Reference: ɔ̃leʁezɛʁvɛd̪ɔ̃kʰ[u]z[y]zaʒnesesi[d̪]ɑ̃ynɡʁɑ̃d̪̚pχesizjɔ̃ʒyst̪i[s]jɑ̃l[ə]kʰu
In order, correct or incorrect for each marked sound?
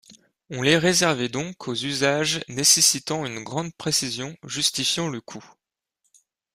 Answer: incorrect, correct, incorrect, incorrect, correct

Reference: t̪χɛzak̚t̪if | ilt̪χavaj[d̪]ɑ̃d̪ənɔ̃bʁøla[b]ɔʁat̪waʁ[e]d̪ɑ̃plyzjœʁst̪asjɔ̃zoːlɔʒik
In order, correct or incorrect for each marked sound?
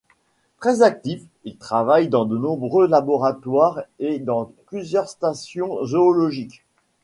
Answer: correct, correct, correct

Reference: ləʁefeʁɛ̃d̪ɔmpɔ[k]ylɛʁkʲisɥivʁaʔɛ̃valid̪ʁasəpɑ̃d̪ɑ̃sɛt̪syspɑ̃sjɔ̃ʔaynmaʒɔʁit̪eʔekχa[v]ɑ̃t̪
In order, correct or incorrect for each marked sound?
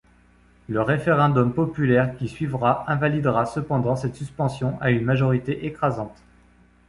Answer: incorrect, incorrect

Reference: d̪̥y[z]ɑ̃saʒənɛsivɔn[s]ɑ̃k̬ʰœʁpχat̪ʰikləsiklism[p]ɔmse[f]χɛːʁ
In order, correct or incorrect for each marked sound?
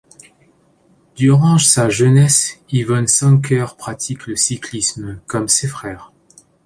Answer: incorrect, correct, incorrect, correct

